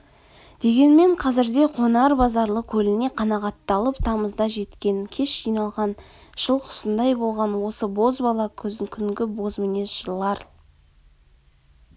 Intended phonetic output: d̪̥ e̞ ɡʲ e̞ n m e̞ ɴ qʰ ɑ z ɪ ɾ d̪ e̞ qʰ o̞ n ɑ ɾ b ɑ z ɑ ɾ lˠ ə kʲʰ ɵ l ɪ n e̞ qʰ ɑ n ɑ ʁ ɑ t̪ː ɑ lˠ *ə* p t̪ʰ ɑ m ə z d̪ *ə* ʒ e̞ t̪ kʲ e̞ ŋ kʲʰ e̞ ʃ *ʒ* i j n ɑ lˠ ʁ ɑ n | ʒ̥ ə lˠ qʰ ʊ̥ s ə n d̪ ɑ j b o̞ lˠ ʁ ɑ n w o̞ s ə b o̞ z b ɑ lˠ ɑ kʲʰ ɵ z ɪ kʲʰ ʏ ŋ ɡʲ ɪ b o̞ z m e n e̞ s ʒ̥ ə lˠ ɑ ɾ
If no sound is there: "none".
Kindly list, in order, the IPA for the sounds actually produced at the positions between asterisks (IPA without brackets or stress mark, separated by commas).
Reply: ə, ɑ, ʒ